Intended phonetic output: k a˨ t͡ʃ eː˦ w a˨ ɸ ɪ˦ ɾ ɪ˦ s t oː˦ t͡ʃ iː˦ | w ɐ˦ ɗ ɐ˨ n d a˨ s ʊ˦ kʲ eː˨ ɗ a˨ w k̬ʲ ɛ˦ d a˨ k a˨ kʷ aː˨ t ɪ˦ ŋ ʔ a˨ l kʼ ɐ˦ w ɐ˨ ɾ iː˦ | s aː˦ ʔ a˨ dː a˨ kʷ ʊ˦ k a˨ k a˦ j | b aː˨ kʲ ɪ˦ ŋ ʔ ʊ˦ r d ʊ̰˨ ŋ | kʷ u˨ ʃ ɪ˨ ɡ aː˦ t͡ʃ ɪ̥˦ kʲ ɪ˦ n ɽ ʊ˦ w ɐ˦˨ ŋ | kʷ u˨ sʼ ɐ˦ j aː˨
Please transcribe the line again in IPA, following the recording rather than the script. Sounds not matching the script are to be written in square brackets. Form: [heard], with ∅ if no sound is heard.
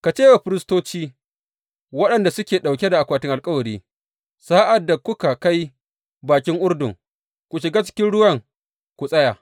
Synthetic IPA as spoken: k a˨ t͡ʃ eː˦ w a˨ ɸ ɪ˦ ɾ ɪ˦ s t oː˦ t͡ʃ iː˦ | w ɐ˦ ɗ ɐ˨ n d a˨ s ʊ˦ kʲ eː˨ ɗ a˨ w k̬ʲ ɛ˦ d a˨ [ʔ] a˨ kʷ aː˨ t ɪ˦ ŋ ʔ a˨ l kʼ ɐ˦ w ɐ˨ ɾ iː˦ | s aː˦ ʔ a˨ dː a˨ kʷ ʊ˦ k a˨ k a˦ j | b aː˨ kʲ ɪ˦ ŋ ʔ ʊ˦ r d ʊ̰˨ ŋ | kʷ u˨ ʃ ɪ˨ ɡ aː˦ t͡ʃ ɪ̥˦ kʲ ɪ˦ n ɽ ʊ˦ w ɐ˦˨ ŋ | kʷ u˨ sʼ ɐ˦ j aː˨